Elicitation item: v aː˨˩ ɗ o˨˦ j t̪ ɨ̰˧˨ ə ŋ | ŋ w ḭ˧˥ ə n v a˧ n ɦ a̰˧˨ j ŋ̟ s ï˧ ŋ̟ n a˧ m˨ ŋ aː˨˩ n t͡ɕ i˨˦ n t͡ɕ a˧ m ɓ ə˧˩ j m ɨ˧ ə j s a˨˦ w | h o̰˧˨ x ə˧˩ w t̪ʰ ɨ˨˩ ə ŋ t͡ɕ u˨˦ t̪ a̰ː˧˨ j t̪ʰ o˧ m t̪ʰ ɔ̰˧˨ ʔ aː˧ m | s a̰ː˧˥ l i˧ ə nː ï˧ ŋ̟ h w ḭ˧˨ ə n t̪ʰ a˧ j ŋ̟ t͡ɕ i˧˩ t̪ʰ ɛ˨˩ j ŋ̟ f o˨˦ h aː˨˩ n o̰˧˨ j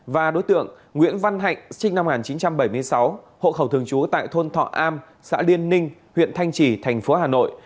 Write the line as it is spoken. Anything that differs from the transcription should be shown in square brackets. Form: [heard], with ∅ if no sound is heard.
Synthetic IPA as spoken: v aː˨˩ ɗ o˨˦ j t̪ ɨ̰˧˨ ə ŋ | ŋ w ḭ˧˥ ə n v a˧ n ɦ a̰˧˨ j ŋ̟ s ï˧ ŋ̟ n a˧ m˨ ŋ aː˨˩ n t͡ɕ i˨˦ n t͡ɕ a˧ m ɓ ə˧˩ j m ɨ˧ ə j s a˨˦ w | h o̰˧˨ x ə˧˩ w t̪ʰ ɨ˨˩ ə ŋ t͡ɕ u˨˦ t̪ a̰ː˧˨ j t̪ʰ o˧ [n] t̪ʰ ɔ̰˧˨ ʔ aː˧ m | s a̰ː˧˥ l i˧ ə nː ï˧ ŋ̟ h w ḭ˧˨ ə n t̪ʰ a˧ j ŋ̟ t͡ɕ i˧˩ t̪ʰ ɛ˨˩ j ŋ̟ f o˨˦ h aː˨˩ n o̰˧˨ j

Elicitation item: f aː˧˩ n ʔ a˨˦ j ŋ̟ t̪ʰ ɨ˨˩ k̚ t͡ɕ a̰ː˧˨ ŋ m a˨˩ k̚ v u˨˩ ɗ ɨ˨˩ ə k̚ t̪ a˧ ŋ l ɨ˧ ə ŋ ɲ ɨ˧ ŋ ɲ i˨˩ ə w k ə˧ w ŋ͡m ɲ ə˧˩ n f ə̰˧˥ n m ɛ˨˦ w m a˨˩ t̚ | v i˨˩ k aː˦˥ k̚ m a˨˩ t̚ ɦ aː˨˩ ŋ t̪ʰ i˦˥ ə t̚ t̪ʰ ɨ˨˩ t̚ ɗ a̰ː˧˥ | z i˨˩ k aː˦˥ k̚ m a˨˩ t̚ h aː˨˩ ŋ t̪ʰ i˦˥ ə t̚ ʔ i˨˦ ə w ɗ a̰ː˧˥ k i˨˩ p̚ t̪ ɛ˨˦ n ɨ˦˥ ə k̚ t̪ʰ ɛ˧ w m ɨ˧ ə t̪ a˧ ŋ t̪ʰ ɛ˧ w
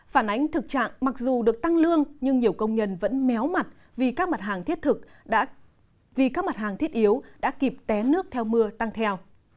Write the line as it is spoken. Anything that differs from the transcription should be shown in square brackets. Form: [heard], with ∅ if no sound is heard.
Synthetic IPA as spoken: f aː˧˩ n ʔ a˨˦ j ŋ̟ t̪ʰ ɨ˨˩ k̚ t͡ɕ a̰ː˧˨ ŋ m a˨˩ k̚ [z] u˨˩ ɗ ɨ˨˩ ə k̚ t̪ a˧ ŋ l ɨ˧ ə ŋ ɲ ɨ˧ ŋ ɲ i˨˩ ə w k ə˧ w ŋ͡m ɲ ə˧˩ n [v] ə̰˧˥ n m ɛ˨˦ w m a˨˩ t̚ | v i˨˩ k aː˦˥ k̚ m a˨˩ t̚ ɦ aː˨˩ ŋ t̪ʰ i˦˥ ə t̚ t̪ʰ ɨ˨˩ [k̚] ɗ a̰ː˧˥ | [v] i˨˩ k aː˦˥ k̚ m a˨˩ t̚ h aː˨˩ ŋ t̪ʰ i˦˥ ə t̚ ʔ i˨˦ ə w ɗ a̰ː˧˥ k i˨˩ p̚ t̪ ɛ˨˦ n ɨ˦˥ ə k̚ t̪ʰ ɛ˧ w m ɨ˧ ə t̪ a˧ ŋ t̪ʰ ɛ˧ w

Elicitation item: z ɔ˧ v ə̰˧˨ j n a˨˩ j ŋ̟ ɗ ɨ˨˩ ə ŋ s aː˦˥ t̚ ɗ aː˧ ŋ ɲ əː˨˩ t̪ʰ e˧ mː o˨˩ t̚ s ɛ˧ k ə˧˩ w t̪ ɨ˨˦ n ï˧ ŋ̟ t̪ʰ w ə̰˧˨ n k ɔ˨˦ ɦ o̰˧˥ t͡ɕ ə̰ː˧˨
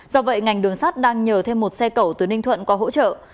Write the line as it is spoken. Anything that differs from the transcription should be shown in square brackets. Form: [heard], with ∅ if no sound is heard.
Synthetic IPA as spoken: z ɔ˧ v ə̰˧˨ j [ŋ] a˨˩ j ŋ̟ ɗ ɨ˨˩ ə ŋ s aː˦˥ t̚ ɗ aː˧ ŋ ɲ əː˨˩ t̪ʰ e˧ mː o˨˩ t̚ s ɛ˧ k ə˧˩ w t̪ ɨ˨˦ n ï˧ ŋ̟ t̪ʰ w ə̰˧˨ n k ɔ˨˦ ɦ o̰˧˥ t͡ɕ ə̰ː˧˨

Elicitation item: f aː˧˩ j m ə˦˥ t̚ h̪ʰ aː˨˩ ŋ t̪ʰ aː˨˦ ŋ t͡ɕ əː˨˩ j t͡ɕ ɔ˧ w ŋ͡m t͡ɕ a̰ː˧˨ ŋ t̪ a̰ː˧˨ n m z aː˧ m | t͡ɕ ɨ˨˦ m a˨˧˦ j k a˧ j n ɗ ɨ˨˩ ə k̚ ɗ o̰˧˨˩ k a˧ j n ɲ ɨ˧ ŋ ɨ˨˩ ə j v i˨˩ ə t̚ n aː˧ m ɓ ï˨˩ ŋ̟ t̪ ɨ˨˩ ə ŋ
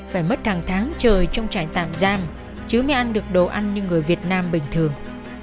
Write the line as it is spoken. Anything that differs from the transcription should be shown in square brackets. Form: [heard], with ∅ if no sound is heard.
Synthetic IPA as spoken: f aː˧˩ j m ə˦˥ t̚ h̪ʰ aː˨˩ ŋ t̪ʰ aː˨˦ ŋ t͡ɕ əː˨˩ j t͡ɕ ɔ˧ w ŋ͡m t͡ɕ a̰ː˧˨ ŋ t̪ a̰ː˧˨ [∅] m z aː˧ m | t͡ɕ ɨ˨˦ m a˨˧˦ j [ʔ] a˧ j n ɗ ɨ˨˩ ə k̚ ɗ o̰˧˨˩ [ʔ] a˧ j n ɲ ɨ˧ ŋ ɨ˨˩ ə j v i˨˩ ə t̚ n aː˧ m ɓ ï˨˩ ŋ̟ [t̪ʰ] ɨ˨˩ ə ŋ

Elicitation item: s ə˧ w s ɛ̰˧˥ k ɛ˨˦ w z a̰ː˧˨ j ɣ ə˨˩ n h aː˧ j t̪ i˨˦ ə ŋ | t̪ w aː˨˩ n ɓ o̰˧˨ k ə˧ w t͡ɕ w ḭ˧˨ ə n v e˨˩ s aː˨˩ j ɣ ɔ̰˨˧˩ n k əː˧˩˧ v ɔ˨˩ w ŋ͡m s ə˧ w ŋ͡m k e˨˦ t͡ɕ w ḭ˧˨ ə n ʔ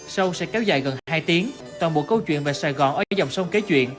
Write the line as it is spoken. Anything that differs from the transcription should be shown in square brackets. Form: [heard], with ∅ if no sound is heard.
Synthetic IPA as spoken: s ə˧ w s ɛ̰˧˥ k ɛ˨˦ w z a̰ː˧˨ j ɣ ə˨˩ n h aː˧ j t̪ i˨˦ ə ŋ | t̪ w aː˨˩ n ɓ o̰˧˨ k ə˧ w t͡ɕ w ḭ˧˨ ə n v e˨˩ s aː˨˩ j ɣ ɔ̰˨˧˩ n [ʔ] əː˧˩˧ [z] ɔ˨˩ w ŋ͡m s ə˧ w ŋ͡m k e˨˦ t͡ɕ w ḭ˧˨ ə n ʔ

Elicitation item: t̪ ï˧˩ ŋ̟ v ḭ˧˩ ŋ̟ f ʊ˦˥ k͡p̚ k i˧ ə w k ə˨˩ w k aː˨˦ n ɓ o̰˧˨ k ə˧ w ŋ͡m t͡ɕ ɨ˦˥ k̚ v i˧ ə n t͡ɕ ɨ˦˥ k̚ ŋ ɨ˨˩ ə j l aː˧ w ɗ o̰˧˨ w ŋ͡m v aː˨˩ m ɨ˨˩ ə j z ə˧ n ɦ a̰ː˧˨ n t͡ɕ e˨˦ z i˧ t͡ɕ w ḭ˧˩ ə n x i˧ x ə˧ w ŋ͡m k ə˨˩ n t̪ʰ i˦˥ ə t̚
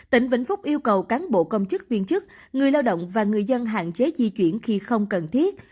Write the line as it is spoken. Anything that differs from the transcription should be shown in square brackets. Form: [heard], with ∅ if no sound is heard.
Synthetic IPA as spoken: t̪ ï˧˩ ŋ̟ v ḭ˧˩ ŋ̟ f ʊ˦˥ k͡p̚ [ʔ] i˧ ə w k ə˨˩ w k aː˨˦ n ɓ o̰˧˨ k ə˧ w ŋ͡m t͡ɕ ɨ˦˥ k̚ v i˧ ə n t͡ɕ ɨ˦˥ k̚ ŋ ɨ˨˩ ə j l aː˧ w ɗ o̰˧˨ w ŋ͡m v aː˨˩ [ŋ] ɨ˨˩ ə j z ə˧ n ɦ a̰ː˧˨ n t͡ɕ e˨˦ z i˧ t͡ɕ w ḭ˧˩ ə n x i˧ x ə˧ w ŋ͡m k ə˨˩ n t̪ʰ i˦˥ ə t̚

